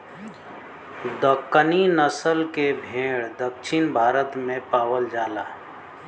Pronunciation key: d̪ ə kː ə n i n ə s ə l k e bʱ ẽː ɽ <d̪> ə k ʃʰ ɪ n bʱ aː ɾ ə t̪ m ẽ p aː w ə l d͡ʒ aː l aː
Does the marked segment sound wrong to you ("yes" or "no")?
no